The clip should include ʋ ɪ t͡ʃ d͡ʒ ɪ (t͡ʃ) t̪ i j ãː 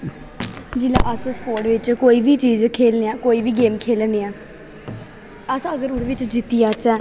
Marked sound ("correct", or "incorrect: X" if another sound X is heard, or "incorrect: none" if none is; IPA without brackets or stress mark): incorrect: none